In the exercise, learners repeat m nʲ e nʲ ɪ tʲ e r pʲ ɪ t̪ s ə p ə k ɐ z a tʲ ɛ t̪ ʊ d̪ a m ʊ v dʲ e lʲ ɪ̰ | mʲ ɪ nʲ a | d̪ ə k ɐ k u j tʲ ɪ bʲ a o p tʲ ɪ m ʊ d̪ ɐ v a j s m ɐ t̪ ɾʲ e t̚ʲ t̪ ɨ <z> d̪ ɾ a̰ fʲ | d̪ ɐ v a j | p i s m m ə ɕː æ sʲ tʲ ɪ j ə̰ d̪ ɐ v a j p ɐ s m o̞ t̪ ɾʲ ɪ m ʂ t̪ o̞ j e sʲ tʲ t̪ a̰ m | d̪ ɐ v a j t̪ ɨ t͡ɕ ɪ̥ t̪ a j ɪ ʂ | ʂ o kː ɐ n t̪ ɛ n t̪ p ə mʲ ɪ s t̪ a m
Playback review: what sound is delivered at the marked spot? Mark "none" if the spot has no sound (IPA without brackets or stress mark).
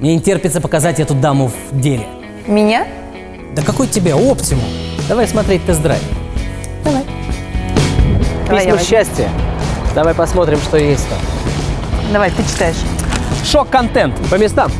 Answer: z